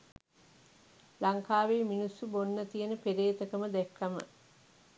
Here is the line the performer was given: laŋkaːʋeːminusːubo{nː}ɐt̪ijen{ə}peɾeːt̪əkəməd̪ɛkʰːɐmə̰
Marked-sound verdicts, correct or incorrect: correct, correct

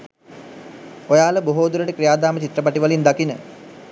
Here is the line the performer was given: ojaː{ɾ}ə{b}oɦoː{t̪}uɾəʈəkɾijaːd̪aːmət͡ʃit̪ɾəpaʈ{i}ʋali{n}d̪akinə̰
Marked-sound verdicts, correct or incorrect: incorrect: l, correct, incorrect: d̪, correct, correct

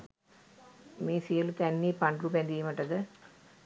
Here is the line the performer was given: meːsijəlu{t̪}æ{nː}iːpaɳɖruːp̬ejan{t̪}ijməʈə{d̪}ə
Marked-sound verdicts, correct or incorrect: correct, correct, incorrect: d̪, correct

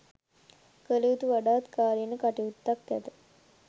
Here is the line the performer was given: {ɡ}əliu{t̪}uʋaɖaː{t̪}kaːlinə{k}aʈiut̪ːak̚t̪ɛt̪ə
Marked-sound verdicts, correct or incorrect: incorrect: k, correct, correct, correct

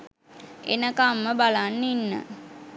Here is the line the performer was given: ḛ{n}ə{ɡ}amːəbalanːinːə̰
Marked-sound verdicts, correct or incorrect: correct, incorrect: k

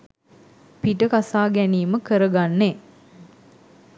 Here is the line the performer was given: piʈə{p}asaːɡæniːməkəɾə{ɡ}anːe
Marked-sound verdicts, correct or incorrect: incorrect: k, correct

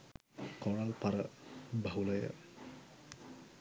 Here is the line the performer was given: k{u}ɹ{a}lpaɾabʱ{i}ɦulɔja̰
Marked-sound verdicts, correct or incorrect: incorrect: ɔ, correct, incorrect: a

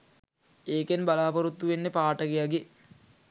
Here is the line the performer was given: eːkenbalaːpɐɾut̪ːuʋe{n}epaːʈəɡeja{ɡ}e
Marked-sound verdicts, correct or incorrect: incorrect: nː, correct

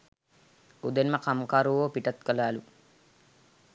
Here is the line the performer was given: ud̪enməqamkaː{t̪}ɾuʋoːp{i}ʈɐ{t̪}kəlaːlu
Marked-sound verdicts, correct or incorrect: incorrect: none, correct, correct

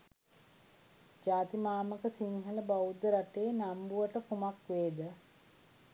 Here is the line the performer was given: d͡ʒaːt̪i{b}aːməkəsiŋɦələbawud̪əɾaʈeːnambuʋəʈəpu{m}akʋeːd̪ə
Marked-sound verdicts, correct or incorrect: incorrect: m, correct

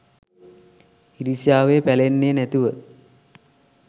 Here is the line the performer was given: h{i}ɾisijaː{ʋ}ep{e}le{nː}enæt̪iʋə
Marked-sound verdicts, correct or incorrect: correct, correct, incorrect: æ, correct

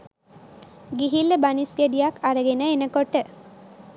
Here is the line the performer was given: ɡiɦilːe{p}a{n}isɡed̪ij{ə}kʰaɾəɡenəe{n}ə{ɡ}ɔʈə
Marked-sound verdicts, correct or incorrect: incorrect: b, correct, incorrect: a, correct, incorrect: k

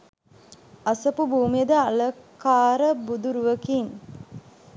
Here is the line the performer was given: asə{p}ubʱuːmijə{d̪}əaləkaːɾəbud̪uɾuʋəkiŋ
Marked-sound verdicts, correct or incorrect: correct, correct

